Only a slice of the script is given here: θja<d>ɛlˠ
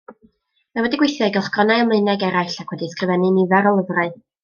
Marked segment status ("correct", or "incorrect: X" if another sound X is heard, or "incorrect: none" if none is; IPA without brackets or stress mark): incorrect: ɡ